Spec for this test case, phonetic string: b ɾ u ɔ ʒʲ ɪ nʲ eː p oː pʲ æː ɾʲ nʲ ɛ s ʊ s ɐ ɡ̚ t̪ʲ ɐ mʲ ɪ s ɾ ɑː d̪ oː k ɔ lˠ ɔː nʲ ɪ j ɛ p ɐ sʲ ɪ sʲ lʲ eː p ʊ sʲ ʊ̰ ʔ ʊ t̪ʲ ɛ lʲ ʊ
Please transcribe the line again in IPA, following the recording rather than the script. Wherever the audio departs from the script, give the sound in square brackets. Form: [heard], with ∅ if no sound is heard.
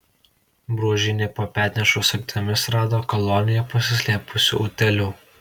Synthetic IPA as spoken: b ɾ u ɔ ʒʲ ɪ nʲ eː p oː pʲ æː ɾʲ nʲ ɛ [ʃ] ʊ s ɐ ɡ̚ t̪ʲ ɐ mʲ ɪ s ɾ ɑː d̪ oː k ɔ lˠ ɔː nʲ ɪ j ɛ p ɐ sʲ ɪ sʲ lʲ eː p ʊ sʲ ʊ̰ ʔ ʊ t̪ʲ ɛ lʲ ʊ